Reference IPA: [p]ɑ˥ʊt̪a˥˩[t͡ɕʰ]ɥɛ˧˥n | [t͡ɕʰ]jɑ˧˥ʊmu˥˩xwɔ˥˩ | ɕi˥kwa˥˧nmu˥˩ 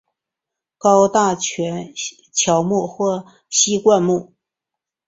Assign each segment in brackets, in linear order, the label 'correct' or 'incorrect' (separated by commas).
incorrect, correct, correct